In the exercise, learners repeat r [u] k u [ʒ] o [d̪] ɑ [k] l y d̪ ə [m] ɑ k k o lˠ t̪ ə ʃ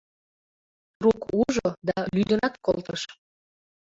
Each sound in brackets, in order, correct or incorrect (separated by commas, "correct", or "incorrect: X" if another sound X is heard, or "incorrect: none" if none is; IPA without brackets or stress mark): correct, correct, correct, incorrect: none, incorrect: n